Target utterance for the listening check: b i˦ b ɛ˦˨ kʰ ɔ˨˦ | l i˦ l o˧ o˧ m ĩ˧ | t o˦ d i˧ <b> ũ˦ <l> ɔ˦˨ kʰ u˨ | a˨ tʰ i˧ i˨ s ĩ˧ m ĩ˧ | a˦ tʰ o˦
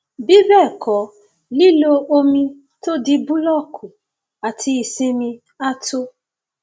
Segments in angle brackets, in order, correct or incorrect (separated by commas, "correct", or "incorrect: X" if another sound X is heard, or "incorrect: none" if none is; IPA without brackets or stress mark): correct, correct